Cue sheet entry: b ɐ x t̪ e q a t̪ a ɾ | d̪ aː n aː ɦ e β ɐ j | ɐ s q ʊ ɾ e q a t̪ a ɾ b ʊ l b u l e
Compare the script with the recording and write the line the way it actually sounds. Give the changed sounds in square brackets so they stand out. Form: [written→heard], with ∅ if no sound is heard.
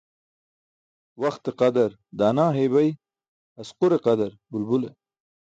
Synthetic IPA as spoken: [b→w] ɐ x t̪ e q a [t̪→d̪] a ɾ | d̪ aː n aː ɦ e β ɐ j | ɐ s q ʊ ɾ e q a [t̪→d̪] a ɾ b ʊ l b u l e